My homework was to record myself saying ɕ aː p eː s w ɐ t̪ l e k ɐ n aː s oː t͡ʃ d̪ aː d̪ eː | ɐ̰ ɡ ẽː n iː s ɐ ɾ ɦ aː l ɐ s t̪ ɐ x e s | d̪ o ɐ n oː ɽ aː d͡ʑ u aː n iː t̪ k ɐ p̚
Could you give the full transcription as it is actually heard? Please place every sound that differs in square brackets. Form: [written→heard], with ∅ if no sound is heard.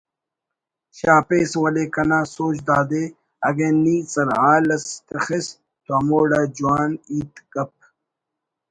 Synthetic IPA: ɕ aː p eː s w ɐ [t̪→∅] l e k ɐ n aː s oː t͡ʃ d̪ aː d̪ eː | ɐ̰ ɡ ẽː n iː s ɐ ɾ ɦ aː l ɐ s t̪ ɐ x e s | [d̪→t̪] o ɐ [n→m] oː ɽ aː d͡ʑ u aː n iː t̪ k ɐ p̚